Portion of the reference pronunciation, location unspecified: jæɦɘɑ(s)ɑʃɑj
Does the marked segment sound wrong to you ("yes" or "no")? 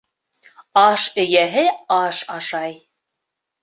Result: yes